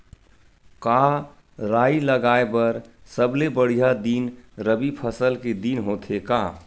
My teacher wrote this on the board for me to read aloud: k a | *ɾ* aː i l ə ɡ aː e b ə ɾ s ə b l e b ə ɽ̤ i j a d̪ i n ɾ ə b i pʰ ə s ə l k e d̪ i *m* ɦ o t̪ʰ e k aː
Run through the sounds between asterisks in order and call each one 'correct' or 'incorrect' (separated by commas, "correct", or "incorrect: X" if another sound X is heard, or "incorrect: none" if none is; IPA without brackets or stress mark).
correct, incorrect: n